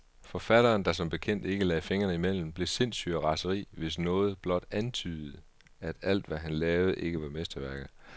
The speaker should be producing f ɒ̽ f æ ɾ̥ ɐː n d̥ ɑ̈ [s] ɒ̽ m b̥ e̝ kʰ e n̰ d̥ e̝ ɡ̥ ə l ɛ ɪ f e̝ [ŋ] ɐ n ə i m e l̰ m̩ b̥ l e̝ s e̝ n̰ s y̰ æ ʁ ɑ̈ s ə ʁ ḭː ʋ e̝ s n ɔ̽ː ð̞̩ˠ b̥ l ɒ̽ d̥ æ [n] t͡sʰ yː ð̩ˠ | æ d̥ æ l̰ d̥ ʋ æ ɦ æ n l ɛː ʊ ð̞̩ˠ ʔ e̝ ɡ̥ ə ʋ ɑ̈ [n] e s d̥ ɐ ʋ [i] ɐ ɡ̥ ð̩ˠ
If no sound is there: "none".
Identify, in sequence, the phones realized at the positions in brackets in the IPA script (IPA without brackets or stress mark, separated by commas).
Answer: s, ŋ, n, m, æ